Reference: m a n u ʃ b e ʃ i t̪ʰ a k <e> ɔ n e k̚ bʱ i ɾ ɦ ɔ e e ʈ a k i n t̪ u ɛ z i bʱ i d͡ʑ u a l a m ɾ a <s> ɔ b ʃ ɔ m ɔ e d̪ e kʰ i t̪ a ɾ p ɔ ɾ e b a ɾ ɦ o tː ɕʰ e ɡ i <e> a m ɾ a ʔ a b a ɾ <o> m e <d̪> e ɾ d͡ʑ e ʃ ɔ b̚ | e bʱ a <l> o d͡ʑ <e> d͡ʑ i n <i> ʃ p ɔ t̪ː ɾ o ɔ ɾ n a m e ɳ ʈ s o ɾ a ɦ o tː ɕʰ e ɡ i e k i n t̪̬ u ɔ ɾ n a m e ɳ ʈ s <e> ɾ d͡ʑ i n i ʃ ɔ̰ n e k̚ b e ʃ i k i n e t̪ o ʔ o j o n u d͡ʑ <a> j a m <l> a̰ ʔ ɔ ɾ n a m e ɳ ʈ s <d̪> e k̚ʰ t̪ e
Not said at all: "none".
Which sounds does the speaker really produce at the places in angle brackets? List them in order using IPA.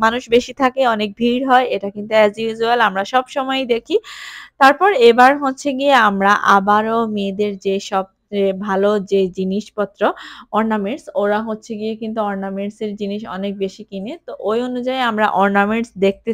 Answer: e, ʃ, e, o, d̪, l, e, i, e, a, ɾ, d̪

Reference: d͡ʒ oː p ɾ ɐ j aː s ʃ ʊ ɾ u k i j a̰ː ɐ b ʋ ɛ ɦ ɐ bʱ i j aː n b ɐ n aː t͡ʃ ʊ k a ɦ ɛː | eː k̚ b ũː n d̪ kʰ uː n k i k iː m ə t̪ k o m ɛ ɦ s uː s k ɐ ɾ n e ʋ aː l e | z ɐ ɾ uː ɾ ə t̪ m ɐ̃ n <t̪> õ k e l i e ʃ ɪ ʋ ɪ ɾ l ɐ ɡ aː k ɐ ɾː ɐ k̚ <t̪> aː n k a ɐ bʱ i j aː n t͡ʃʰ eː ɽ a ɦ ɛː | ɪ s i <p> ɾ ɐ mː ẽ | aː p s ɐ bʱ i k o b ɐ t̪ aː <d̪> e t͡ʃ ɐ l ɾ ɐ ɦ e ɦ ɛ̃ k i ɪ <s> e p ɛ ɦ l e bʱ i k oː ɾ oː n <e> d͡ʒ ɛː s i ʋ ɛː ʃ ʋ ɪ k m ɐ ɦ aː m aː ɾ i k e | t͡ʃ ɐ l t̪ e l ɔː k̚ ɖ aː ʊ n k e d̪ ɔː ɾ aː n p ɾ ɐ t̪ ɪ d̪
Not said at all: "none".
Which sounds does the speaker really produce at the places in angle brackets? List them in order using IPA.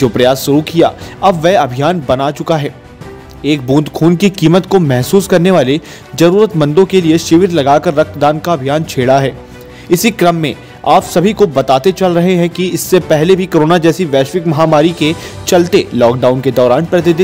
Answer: d̪, d̪, k, t̪, sː, a

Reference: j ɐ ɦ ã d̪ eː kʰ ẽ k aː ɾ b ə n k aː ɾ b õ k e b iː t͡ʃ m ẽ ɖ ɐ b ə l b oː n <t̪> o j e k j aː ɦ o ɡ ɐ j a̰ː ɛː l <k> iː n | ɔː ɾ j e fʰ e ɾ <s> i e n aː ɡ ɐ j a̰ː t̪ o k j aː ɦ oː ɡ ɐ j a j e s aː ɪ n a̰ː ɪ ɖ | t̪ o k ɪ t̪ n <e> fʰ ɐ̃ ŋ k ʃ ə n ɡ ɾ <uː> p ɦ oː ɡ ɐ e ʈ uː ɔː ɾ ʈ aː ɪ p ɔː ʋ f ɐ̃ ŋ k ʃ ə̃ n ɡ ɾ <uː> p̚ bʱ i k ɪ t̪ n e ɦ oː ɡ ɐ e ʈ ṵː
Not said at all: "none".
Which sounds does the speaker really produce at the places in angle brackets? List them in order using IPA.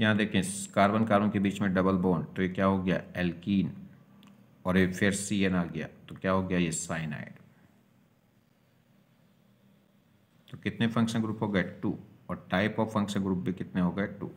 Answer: t̪, k, s, e, uː, uː

